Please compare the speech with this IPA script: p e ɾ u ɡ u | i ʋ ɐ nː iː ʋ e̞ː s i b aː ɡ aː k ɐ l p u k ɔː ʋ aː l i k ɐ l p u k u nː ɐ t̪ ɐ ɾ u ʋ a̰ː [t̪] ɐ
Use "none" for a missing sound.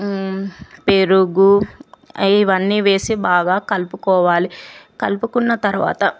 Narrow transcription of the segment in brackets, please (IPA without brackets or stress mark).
t̪